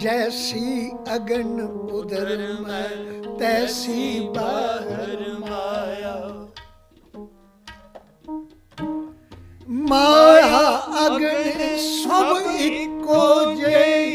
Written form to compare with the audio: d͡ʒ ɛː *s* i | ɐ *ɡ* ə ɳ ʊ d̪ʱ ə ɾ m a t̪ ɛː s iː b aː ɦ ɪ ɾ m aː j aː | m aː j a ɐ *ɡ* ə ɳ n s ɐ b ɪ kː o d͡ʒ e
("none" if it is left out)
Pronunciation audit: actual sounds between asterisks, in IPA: s, ɡ, ɡ

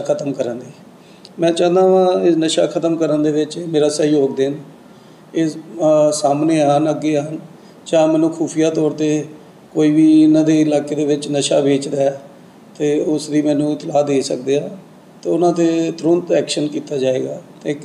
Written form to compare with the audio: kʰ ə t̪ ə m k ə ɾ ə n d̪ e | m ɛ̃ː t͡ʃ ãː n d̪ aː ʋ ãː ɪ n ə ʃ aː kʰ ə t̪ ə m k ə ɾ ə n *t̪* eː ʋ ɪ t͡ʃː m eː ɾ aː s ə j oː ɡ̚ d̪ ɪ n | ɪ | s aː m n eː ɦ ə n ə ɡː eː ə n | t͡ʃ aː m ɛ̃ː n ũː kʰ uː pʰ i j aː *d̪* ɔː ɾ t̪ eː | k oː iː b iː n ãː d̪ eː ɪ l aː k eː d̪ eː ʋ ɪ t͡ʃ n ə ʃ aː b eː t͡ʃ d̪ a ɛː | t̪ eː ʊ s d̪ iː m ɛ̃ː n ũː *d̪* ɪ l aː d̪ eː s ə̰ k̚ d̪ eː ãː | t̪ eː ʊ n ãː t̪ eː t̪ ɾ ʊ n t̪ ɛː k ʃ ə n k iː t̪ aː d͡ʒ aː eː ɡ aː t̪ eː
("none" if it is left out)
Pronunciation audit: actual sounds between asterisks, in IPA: d̪, t̪, t̪

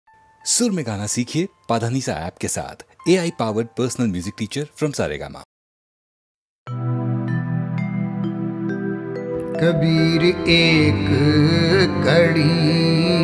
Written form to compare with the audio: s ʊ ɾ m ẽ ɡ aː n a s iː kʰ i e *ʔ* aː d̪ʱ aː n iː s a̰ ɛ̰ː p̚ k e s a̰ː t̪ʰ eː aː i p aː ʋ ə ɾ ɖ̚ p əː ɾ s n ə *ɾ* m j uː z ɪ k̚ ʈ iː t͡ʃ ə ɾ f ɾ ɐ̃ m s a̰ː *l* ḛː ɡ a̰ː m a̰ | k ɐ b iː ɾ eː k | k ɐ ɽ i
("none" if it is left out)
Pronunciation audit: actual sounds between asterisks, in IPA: p, l, ɾ

